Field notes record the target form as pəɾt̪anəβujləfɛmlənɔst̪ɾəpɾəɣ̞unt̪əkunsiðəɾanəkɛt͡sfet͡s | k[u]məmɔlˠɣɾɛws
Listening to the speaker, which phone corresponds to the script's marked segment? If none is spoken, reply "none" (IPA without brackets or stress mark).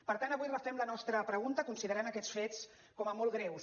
ɔ